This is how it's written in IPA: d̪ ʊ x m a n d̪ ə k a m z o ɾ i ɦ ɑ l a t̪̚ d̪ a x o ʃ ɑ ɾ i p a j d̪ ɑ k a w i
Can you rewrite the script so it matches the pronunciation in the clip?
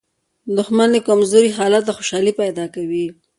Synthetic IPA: d̪ ʊ x m a n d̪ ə k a m z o ɾ i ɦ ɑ l a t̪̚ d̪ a x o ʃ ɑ l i p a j d̪ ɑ k a w i